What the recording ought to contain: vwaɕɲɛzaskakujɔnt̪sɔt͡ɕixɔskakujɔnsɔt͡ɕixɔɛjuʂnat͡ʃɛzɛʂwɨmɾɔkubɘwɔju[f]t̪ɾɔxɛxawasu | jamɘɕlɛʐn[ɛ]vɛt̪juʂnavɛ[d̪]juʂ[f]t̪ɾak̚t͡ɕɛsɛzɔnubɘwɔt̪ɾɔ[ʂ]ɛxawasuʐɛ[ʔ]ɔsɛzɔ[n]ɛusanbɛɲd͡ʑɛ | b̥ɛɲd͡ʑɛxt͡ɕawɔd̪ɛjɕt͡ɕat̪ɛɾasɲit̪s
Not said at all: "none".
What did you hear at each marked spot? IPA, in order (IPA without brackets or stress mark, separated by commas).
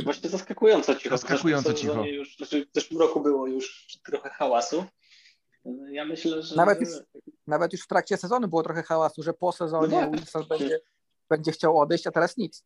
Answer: ʂ, a, t̪, f, x, p, ɲ